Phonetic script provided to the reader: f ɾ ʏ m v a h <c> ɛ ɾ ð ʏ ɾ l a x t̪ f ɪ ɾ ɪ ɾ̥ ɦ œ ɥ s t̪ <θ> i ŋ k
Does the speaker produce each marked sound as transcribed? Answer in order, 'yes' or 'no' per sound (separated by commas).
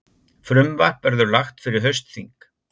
no, yes